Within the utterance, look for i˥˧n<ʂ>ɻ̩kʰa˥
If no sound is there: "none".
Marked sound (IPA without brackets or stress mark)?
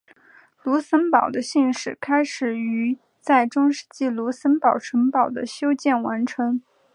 ʂ